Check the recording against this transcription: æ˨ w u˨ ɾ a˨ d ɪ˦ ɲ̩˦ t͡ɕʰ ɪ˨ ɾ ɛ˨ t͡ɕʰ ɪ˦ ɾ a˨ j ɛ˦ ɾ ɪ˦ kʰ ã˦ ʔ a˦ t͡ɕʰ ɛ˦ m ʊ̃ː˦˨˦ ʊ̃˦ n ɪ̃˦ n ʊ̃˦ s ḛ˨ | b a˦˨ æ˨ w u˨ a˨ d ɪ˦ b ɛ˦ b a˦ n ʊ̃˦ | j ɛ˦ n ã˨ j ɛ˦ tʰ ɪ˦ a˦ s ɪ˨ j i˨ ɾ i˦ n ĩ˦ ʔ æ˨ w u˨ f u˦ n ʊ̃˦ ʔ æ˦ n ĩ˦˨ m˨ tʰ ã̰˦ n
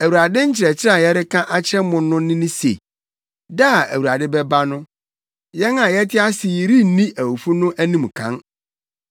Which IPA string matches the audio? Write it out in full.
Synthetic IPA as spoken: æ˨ w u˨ ɾ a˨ d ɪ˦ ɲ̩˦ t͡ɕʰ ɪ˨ ɾ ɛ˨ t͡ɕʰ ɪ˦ ɾ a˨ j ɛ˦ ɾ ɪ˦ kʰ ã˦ ʔ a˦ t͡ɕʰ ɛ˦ m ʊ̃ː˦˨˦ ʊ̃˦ n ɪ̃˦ n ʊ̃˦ s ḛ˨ | d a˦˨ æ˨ w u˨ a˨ d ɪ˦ b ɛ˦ b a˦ n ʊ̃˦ | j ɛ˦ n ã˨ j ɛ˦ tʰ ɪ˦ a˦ s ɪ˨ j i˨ ɾ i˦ n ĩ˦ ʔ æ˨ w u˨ f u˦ n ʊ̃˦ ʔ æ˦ n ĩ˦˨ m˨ kʰ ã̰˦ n

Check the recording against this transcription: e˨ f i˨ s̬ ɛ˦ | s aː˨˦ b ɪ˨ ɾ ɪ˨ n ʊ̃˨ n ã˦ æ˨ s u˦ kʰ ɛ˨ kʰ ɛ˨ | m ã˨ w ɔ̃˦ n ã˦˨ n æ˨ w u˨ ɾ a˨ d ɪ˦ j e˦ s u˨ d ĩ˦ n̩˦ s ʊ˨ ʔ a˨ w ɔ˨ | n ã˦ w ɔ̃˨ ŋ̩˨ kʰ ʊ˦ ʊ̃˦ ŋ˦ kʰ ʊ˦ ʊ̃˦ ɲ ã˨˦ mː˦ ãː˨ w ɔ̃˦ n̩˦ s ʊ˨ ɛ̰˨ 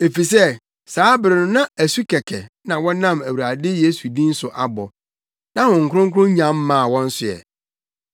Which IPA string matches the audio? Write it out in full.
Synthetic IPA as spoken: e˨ f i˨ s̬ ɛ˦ | s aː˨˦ b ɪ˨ ɾ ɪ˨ n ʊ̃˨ n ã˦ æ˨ s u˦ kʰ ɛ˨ kʰ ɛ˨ | n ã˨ w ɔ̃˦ n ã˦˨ m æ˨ w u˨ ɾ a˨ d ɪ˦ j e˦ s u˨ d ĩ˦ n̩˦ s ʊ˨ ʔ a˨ b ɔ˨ | n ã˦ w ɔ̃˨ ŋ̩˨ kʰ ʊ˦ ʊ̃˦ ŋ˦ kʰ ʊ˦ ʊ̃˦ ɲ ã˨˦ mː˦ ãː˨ w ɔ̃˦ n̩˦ s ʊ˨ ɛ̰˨

